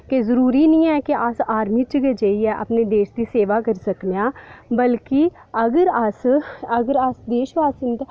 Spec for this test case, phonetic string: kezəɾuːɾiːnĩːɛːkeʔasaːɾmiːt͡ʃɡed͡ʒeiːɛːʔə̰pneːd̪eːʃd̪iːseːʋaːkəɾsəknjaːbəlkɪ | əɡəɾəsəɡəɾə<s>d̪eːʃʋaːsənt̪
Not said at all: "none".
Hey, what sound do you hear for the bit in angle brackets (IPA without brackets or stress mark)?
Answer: s